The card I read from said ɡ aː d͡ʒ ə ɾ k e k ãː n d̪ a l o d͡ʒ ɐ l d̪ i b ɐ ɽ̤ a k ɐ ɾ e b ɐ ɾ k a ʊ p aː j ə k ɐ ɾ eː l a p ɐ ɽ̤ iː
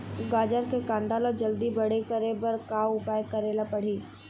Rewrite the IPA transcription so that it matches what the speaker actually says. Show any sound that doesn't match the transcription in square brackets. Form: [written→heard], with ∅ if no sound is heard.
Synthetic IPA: ɡ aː d͡ʒ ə ɾ k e k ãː n d̪ a l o d͡ʒ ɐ l d̪ i b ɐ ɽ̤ [a→e] k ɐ ɾ e b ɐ ɾ k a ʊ p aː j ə k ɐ ɾ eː l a p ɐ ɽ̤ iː